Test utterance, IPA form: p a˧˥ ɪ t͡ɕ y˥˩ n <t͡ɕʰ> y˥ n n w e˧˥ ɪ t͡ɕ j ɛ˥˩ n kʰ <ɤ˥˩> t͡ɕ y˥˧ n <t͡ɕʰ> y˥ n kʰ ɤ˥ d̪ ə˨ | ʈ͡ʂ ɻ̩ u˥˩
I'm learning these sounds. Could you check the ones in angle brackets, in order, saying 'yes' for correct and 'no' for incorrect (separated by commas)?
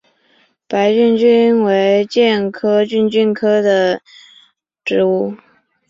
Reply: no, no, no